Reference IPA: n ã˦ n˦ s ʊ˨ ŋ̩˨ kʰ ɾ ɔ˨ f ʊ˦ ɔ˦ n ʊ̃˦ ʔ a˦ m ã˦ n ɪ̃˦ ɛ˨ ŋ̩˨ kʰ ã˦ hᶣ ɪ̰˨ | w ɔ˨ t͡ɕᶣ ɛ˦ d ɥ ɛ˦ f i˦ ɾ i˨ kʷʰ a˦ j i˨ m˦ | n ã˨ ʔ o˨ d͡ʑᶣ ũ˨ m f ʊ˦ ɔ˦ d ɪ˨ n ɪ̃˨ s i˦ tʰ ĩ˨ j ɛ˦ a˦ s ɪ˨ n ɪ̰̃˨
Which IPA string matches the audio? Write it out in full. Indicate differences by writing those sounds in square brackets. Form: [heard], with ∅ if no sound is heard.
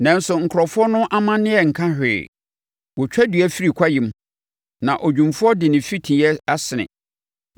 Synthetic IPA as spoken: n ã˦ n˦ s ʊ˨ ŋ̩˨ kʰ ɾ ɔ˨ f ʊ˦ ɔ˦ n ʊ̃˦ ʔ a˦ m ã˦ n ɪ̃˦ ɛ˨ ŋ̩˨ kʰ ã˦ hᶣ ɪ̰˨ | w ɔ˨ t͡ɕᶣ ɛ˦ d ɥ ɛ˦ f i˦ ɾ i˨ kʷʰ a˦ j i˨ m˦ | n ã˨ ʔ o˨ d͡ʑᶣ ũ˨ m f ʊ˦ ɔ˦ d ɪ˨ n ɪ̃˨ [f] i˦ tʰ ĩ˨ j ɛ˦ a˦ s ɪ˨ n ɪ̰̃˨